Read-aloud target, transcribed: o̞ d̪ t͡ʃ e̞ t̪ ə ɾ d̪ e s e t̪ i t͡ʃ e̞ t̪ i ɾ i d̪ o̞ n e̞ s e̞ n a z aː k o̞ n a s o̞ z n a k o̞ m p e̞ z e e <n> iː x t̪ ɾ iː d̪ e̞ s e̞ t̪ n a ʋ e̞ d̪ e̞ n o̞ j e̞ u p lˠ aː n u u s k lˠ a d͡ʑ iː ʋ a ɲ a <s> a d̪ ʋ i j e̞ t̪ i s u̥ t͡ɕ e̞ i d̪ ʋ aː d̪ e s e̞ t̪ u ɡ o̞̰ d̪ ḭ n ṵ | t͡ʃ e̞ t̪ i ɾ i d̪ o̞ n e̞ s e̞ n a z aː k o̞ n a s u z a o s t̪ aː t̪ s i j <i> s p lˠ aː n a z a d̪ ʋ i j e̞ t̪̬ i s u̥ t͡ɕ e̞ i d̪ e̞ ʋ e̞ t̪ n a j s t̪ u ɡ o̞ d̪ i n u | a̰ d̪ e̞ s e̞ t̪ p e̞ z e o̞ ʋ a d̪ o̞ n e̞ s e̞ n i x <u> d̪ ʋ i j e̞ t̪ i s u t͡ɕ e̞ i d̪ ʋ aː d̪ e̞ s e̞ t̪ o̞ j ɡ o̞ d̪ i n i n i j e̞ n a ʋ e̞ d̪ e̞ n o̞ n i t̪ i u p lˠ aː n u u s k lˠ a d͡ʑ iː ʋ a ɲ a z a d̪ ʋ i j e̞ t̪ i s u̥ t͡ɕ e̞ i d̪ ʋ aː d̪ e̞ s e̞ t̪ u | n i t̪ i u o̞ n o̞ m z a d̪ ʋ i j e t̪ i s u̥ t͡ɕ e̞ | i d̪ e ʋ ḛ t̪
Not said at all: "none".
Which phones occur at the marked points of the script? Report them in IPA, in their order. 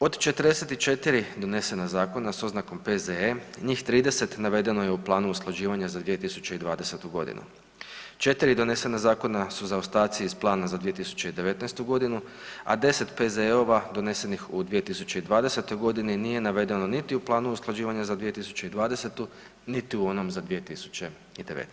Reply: ɲ, z, i, u

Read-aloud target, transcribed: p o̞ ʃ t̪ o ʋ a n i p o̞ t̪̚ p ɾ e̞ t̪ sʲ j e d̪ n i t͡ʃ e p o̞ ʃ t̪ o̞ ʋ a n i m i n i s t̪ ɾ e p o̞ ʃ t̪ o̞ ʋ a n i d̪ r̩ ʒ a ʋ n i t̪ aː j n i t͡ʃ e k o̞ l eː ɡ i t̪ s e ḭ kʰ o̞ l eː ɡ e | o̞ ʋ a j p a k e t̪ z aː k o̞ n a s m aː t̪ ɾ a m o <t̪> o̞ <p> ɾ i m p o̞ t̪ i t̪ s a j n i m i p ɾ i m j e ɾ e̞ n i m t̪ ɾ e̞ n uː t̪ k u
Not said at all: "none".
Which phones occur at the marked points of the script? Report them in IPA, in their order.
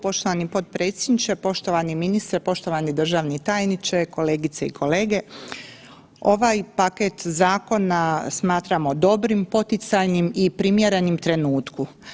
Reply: d̪, b

